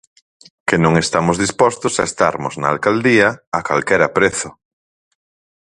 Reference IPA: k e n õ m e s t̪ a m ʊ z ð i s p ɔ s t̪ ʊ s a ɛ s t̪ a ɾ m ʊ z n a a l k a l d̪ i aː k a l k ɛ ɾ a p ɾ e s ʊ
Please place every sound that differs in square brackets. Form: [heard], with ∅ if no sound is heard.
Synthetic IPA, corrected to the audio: k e n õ [ŋ] e s t̪ a m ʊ z ð i s p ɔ s t̪ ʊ s a [e] s t̪ a ɾ m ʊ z n a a l k a l d̪ i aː k a l k ɛ ɾ a p ɾ e [θ] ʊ